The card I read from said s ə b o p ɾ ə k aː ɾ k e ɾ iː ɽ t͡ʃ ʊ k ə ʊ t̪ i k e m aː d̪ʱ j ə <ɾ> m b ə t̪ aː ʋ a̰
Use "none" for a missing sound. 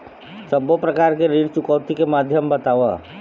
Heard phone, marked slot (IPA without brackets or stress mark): none